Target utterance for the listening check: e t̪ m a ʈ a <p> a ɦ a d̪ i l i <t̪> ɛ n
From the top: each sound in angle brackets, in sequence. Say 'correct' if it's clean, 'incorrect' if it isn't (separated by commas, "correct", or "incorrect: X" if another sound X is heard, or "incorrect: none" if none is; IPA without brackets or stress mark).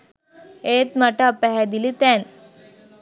correct, correct